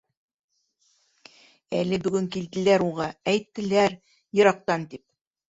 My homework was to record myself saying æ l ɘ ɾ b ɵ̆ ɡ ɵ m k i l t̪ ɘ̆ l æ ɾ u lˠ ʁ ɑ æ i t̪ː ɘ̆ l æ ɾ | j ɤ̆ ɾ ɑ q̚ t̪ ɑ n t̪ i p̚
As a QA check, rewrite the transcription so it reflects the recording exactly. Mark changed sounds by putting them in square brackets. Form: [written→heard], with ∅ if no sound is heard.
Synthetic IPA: æ l ɘ [ɾ→∅] b ɵ̆ ɡ ɵ [m→ŋ] k i l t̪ ɘ̆ l æ ɾ u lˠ ʁ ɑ æ [i→j] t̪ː ɘ̆ l æ ɾ | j ɤ̆ ɾ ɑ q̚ t̪ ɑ n t̪ i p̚